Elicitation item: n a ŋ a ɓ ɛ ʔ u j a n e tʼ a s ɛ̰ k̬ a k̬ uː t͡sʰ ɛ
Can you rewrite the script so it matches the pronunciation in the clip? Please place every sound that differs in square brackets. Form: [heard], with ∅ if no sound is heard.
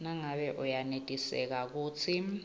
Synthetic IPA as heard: n a ŋ a ɓ ɛ ʔ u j a n e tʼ [i] s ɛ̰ k̬ a k̬ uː t͡sʰ [i]